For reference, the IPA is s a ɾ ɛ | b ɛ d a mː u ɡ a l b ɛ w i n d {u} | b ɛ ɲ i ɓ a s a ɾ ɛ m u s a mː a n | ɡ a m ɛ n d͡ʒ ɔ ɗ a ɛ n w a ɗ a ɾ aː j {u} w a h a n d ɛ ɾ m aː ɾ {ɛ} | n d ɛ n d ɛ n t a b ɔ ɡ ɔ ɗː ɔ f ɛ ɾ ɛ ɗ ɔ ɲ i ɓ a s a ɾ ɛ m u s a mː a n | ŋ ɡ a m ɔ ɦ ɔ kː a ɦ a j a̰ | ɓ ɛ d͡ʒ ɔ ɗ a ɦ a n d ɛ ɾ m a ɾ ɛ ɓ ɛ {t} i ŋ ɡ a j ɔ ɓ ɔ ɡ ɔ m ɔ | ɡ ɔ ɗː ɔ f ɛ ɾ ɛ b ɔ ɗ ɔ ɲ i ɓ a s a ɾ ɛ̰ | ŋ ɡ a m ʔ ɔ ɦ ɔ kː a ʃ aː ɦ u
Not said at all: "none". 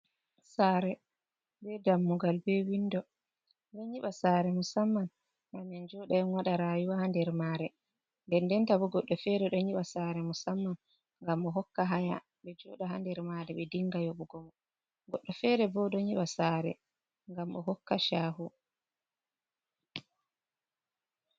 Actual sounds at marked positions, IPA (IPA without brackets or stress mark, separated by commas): ɔ, u, ɛ, d